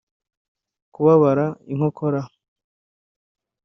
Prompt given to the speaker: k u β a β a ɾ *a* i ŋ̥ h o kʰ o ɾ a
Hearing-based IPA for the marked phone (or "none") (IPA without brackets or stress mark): a